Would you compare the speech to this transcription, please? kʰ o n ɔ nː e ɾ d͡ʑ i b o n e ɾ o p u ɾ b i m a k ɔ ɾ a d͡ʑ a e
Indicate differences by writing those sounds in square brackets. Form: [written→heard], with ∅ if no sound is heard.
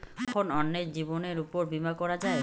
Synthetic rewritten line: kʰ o n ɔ nː e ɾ d͡ʑ i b o n e ɾ [o→u] p [u→o] ɾ b i m a k ɔ ɾ a d͡ʑ a e